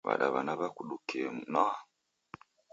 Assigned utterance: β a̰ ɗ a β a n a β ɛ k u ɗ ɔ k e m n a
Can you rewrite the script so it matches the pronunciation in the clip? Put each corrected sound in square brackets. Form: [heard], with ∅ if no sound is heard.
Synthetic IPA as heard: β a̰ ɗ a β a n a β [a] k u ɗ [u] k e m n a